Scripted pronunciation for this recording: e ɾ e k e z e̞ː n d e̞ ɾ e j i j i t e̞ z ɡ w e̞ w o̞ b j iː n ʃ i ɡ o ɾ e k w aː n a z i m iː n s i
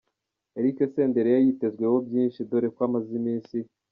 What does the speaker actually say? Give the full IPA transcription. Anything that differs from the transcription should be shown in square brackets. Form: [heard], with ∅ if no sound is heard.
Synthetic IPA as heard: e ɾ [i] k e [s] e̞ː n d e̞ ɾ e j [a] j i t e̞ z ɡ w e̞ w o̞ b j iː n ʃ i [d] o ɾ e k w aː [m] a z i m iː n s i